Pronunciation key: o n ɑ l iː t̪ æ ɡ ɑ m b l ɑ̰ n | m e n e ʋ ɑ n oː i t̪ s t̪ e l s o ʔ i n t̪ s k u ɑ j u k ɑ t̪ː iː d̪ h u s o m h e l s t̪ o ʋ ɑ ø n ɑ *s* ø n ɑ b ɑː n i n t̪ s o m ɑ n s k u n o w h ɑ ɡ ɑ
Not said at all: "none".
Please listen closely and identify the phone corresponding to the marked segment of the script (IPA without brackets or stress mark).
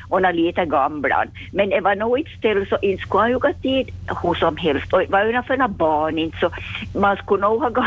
f